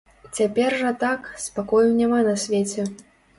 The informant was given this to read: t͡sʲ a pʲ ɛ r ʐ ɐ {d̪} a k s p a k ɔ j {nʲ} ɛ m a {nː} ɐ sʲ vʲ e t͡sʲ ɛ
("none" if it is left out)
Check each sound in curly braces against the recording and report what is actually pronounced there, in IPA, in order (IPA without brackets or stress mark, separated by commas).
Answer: t̪, nʲ, n